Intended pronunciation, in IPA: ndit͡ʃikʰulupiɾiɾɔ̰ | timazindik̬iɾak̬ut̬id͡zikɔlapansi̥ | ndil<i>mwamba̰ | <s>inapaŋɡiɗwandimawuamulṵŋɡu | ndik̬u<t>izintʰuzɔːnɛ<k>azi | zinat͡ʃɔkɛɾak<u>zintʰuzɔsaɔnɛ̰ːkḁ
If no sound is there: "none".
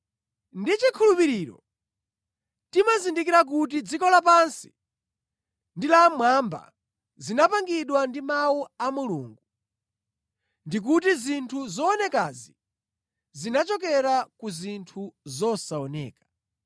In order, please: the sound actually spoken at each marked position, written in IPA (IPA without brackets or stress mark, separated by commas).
a, z, t, k, u